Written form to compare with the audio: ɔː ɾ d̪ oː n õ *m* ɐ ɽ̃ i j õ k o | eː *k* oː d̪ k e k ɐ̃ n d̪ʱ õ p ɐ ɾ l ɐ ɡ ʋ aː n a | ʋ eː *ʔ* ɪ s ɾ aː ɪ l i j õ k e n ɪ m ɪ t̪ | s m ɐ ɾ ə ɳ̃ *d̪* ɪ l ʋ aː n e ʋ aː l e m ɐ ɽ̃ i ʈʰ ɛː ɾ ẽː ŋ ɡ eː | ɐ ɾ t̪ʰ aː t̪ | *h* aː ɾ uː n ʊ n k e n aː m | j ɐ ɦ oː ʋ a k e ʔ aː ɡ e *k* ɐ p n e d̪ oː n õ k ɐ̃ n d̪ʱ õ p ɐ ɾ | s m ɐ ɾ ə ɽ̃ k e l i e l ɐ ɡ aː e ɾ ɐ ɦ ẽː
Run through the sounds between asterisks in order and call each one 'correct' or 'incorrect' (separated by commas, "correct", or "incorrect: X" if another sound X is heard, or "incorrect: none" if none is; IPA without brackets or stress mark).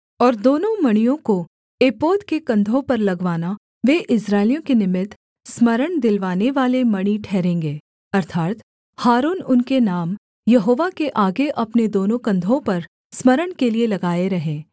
correct, incorrect: p, correct, correct, correct, incorrect: ʔ